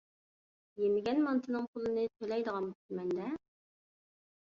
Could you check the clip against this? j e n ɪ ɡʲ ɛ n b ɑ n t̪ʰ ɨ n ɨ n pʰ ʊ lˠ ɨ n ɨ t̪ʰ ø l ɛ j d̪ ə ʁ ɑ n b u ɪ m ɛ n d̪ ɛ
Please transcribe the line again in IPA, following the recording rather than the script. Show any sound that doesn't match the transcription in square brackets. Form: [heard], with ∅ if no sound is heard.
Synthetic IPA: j e [m] ɪ ɡʲ ɛ n [m] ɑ n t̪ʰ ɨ n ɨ [ŋ] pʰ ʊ lˠ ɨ n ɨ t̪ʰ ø l ɛ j d̪ ə ʁ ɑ n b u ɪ m ɛ n d̪ ɛ